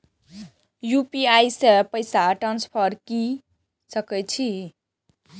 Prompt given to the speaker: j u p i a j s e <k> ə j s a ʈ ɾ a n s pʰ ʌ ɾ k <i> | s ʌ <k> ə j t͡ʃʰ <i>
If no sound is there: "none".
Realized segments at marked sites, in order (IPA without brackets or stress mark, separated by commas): p, i, k, i